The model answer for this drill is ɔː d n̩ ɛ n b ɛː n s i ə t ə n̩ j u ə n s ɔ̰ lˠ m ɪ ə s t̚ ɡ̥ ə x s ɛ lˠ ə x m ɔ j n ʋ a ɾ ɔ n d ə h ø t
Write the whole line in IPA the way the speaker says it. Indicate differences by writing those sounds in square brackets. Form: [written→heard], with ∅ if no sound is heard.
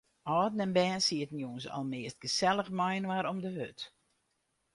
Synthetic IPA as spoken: ɔː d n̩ ɛ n b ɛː n s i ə t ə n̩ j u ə n s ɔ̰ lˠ m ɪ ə s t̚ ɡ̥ ə [x→∅] s ɛ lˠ ə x m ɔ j n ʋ a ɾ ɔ [n→m] d ə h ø t